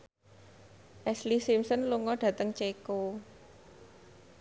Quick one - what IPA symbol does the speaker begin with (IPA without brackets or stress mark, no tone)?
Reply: ʔ